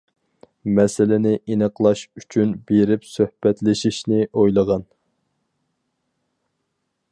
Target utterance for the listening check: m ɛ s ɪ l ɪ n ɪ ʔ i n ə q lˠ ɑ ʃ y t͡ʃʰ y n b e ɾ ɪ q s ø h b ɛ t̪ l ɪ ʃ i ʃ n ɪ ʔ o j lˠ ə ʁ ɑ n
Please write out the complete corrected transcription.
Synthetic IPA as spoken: m ɛ s ɪ l ɪ n ɪ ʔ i n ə q lˠ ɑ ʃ y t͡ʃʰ y n b e ɾ ɪ p s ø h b ɛ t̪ l ɪ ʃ i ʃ n ɪ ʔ o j lˠ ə ʁ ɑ n

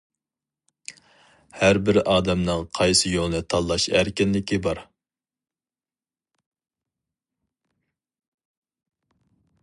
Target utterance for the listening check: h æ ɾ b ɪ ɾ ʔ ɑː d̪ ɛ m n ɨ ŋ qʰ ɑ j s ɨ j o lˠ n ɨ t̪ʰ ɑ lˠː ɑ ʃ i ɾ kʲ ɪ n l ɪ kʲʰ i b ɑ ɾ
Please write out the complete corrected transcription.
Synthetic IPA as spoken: h æ ɾ b ɪ ɾ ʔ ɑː d̪ ɛ m n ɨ ŋ qʰ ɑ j s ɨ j o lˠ n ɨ t̪ʰ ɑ lˠː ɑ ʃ æ ɾ kʲ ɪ n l ɪ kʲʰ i b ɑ ɾ

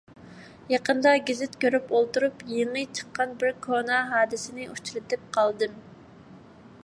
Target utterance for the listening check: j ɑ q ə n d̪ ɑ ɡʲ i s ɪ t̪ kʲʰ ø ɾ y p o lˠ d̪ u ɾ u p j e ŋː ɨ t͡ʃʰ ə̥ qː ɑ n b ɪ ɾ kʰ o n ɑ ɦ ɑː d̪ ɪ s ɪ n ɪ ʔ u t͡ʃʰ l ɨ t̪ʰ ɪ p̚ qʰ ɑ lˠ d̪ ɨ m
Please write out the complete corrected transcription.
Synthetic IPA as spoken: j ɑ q ə n d̪ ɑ ɡʲ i z ɪ t̪ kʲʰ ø ɾ y p o lˠ t̪ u ɾ u p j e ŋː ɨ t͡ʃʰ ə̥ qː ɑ n b ɪ ɾ kʰ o n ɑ ɦ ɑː d̪ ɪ s ɪ n ɪ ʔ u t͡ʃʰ l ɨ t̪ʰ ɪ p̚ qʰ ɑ lˠ d̪ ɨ m

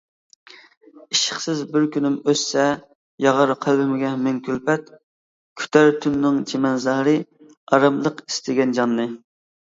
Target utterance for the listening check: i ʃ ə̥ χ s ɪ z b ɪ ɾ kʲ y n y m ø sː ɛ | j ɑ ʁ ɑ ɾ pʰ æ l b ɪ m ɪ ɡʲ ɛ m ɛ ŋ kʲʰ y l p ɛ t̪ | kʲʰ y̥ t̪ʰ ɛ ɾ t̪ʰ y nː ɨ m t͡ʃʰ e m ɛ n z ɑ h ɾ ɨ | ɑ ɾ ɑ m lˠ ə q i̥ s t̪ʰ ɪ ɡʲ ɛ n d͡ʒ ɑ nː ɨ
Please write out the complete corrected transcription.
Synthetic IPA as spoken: i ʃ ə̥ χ s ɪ z b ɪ ɾ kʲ y n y m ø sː ɛ | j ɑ ʁ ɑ ɾ qʰ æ l b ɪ m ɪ ɡʲ ɛ m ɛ ŋ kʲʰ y l p ɛ t̪ | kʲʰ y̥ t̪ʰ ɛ ɾ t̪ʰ y nː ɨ ŋ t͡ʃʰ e m ɛ n z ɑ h ɾ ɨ | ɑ ɾ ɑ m lˠ ə q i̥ s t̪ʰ ɪ ɡʲ ɛ n d͡ʒ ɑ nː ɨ

